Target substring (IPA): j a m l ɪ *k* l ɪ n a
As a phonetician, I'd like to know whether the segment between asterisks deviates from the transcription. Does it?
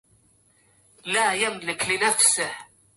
no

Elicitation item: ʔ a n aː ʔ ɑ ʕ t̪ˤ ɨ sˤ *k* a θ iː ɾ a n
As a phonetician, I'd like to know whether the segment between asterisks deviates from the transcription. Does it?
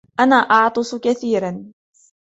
no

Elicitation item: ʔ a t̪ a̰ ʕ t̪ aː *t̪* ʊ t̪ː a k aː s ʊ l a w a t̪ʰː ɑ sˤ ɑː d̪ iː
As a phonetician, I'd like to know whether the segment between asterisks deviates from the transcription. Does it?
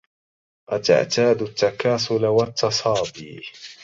yes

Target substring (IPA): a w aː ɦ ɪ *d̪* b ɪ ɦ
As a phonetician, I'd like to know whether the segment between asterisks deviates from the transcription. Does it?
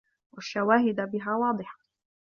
no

